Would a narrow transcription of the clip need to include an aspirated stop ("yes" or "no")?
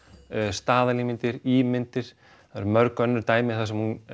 no